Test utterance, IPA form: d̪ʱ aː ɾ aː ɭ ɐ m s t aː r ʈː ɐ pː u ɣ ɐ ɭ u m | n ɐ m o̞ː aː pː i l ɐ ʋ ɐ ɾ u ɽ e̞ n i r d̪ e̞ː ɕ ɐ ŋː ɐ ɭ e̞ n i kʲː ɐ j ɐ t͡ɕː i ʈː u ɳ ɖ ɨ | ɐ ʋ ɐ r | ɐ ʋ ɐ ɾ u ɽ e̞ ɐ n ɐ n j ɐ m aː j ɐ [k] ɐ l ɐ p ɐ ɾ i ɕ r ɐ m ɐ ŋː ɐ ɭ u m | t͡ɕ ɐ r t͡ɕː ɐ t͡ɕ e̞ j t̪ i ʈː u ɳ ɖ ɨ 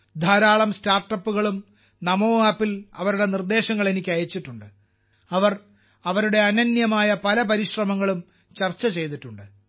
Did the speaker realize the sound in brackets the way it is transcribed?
no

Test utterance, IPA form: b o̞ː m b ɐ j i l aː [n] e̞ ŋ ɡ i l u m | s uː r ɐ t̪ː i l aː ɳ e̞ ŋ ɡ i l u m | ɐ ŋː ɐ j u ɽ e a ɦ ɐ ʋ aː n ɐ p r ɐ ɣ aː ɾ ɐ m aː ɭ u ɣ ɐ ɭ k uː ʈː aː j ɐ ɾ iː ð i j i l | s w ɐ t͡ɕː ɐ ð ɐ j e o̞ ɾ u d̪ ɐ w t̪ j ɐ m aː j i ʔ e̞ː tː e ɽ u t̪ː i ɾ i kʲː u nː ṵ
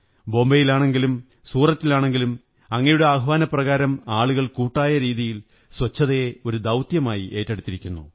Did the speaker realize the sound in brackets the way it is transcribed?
no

